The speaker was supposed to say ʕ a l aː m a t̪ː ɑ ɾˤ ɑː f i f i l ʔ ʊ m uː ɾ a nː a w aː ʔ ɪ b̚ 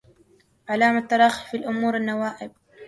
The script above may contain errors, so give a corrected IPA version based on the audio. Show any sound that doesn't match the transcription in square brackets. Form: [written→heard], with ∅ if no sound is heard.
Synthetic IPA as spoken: ʕ a l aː m a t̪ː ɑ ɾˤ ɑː [f→x] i f i l ʔ ʊ m uː ɾ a nː a w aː ʔ ɪ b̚

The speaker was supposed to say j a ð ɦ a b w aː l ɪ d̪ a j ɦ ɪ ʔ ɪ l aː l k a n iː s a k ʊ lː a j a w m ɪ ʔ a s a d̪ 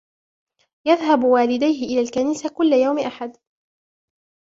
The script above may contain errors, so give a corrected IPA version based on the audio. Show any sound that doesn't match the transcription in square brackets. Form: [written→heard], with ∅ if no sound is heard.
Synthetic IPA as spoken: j a ð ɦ a b w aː l ɪ d̪ a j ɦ ɪ ʔ ɪ l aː l k a n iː s a k ʊ lː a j a w m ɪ ʔ a [s→ħ] a d̪

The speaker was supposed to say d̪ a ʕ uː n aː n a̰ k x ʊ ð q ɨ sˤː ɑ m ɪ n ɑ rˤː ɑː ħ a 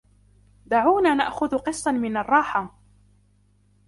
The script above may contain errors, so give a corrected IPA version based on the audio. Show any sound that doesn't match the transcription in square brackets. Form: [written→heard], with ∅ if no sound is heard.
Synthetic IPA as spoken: d̪ a ʕ uː n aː n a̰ [k→ʔ] x ʊ ð q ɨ sˤː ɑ m ɪ n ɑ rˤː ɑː ħ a

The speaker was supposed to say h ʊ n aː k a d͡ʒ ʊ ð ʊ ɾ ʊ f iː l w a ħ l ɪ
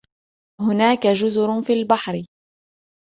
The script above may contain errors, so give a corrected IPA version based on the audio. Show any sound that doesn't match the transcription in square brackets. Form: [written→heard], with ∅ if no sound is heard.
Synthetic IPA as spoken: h ʊ n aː k a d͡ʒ ʊ [ð→z] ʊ ɾ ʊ f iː l [w→b] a ħ [l→ɾ] ɪ

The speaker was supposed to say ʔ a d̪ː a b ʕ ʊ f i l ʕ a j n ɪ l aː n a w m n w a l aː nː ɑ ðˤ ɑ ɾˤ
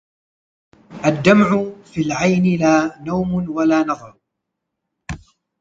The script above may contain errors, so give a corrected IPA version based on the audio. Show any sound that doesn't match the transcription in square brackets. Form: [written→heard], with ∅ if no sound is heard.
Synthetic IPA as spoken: ʔ a d̪ː a [b→m] ʕ ʊ f i l ʕ a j n ɪ l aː n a w m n w a l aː [nː→n] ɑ ðˤ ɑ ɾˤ

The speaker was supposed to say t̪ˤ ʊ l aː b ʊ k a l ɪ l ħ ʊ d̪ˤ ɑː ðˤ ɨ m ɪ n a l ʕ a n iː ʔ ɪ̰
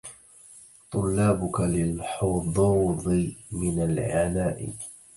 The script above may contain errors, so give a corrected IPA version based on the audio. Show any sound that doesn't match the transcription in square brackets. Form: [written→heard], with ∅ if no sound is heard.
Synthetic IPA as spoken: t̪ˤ ʊ [l→lː] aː b ʊ k a l ɪ l ħ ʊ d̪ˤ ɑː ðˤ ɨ m ɪ n a l ʕ a n [iː→aː] ʔ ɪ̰

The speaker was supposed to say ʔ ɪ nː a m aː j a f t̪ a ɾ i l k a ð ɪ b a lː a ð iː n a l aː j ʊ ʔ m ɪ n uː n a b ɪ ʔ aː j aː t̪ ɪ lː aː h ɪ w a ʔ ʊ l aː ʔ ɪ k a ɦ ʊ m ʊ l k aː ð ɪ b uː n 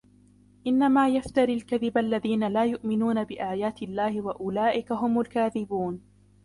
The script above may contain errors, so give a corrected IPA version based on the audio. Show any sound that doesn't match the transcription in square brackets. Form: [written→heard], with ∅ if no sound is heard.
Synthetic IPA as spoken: ʔ ɪ nː a m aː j a f t̪ a ɾ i l k a ð ɪ b a lː a ð iː n a l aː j ʊ ʔ m ɪ n uː n a b ɪ ʔ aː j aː t̪ ɪ lː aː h ɪ w a ʔ ʊ l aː ʔ ɪ k a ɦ ʊ m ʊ l k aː ð ɪ b uː n

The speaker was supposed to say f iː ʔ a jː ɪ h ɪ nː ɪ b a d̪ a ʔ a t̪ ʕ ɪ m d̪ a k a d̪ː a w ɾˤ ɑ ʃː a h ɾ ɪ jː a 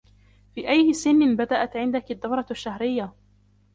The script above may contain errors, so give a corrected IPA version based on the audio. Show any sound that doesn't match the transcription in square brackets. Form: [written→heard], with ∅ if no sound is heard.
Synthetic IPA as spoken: f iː ʔ a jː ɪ [h→s] ɪ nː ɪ b a d̪ a ʔ a t̪ ʕ ɪ [m→n] d̪ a k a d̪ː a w ɾˤ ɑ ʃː a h ɾ ɪ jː a

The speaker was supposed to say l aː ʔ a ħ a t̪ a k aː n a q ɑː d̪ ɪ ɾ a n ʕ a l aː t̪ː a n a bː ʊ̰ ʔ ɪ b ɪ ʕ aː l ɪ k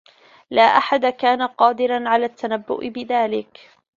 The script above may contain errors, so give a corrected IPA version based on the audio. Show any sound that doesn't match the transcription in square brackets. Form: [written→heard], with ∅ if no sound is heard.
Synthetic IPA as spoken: l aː ʔ a ħ a [t̪→d̪] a k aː n a q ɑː d̪ ɪ ɾ a n ʕ a l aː t̪ː a n a bː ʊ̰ ʔ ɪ b ɪ [ʕ→ð] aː l ɪ k

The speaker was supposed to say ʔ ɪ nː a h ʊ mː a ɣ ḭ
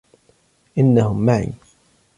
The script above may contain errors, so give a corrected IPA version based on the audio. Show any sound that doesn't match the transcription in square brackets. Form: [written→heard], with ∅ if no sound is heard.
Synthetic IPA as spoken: ʔ ɪ nː a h ʊ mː a [ɣ→ʕ] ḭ

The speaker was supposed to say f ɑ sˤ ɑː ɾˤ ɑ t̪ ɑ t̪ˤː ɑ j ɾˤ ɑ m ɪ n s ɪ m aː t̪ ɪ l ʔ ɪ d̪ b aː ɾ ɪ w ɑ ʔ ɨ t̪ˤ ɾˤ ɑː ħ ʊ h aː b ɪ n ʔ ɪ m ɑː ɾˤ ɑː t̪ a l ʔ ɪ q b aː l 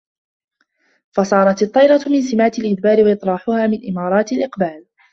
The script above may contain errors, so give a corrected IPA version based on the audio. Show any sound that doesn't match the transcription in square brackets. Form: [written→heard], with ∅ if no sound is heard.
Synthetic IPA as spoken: f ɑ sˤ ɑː ɾˤ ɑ t̪ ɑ t̪ˤː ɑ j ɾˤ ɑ m ɪ n s ɪ m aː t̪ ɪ l ʔ ɪ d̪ b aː ɾ ɪ w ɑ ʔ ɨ t̪ˤ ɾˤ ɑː ħ ʊ h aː [b→m] ɪ n ʔ ɪ m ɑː ɾˤ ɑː t̪ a l ʔ ɪ q b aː l

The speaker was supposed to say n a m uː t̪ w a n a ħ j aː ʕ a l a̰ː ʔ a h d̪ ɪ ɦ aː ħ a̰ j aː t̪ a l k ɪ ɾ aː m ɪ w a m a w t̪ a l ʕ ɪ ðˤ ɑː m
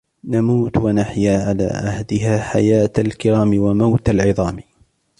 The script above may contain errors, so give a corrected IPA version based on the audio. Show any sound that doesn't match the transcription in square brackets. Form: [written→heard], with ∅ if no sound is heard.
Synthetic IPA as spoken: n a m uː t̪ w a n a ħ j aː ʕ a l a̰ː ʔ a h d̪ ɪ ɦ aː ħ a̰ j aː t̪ a l k ɪ ɾ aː m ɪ w a m a w t̪ a l ʕ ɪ ðˤ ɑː m

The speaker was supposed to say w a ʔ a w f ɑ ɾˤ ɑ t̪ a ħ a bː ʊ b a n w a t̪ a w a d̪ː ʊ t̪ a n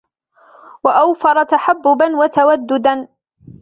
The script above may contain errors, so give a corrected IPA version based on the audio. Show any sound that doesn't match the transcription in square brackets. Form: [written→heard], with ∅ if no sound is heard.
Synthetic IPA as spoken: w a ʔ a w f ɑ ɾˤ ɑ t̪ a ħ a bː ʊ b a n w a t̪ a w a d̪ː ʊ [t̪→d̪] a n

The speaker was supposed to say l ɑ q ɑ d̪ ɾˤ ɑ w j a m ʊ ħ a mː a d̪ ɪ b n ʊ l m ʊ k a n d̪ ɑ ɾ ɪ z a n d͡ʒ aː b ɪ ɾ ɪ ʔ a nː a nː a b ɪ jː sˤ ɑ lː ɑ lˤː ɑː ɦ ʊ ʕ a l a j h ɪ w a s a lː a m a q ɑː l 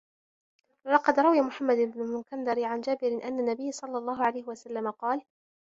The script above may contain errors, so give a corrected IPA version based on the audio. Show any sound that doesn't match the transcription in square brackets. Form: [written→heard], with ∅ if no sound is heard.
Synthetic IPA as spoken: l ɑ q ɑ d̪ ɾˤ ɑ w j a m ʊ ħ a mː a d̪ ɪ b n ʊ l m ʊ k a n d̪ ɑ ɾ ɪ [z→ʕ] a n d͡ʒ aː b ɪ ɾ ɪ ʔ a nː a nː a b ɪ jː sˤ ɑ lː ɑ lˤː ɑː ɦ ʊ ʕ a l a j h ɪ w a s a lː a m a q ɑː l

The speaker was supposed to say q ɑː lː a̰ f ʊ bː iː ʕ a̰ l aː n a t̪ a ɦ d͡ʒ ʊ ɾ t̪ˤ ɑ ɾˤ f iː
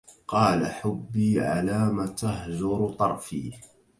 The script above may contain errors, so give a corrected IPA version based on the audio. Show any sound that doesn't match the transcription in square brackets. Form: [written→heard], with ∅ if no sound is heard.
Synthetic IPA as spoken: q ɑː [lː→l] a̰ [f→ħ] ʊ bː iː ʕ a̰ l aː [n→m] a t̪ a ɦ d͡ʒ ʊ ɾ t̪ˤ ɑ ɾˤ f iː

